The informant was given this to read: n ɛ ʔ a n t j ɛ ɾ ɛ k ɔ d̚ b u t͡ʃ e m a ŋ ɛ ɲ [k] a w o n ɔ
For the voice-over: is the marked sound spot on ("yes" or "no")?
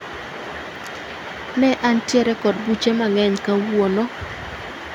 yes